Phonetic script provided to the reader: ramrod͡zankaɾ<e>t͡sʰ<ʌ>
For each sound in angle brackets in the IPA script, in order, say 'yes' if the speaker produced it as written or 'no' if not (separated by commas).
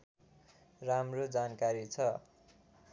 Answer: no, yes